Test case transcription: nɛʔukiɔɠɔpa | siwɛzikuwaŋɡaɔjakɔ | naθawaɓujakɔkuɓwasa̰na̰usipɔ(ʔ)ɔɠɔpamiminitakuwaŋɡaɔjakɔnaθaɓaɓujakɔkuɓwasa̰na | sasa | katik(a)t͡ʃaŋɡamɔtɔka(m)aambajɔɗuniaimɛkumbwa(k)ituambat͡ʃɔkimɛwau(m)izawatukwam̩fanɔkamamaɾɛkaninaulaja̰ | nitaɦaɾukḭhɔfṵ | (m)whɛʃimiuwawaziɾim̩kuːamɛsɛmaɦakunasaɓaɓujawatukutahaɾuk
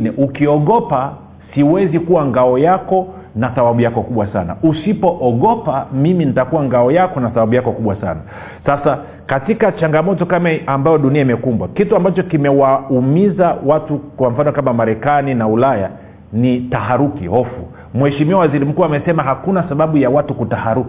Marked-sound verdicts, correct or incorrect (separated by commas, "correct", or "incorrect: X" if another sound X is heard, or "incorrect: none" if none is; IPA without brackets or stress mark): correct, correct, correct, correct, correct, correct